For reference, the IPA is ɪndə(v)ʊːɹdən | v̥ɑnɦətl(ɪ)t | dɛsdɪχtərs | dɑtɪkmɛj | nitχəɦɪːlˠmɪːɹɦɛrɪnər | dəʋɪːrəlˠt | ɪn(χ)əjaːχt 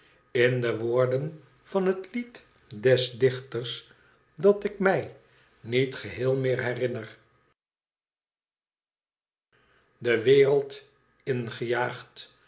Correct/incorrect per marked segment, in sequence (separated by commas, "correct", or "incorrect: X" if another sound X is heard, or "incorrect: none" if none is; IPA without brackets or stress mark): incorrect: ʋ, incorrect: i, correct